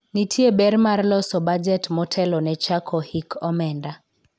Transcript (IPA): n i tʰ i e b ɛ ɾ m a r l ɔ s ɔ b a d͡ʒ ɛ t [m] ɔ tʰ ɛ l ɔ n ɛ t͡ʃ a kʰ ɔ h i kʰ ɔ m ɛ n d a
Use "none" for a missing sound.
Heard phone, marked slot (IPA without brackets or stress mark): m